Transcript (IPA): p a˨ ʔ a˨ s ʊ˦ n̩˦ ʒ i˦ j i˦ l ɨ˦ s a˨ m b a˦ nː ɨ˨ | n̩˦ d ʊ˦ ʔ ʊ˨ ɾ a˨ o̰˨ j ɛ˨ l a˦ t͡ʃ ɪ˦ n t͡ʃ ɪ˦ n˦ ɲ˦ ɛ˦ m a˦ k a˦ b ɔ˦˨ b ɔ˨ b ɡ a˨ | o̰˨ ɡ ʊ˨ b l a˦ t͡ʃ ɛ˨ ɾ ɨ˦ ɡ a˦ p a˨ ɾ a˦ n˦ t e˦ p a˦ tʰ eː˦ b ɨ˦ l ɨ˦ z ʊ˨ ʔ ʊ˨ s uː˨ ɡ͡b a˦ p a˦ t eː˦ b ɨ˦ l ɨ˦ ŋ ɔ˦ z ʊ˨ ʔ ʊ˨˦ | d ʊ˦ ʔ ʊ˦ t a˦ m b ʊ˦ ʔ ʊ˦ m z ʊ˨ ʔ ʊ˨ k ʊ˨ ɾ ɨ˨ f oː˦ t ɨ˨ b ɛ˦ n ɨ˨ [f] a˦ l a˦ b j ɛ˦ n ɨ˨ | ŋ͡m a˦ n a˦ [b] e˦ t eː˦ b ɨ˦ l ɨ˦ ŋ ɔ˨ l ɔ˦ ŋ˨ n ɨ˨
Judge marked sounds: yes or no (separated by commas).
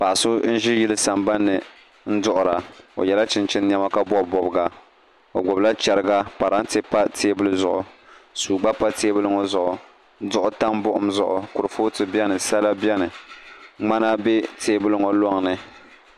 no, yes